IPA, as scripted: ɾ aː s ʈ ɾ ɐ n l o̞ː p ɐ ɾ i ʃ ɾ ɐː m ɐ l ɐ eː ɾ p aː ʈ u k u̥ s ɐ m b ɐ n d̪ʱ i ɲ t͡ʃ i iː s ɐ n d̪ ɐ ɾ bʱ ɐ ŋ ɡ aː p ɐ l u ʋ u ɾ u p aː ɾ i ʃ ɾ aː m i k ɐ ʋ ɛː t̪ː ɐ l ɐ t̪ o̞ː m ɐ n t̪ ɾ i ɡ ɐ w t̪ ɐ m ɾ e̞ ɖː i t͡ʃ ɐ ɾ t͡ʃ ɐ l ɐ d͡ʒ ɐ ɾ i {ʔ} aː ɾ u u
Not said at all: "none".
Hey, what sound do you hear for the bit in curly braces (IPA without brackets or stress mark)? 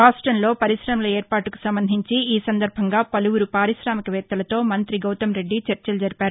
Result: p